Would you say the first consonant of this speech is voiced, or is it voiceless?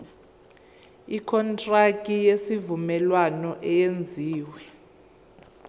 voiceless